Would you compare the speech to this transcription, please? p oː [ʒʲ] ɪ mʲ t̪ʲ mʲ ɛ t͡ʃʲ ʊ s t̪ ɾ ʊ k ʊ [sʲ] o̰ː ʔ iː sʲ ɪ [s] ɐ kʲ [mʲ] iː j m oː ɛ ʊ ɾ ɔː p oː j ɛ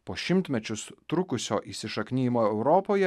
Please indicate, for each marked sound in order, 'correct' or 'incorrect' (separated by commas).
incorrect, correct, incorrect, incorrect